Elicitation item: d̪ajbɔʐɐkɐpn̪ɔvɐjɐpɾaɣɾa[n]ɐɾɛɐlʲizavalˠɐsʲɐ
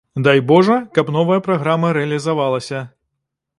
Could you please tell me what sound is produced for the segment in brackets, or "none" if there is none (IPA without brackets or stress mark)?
m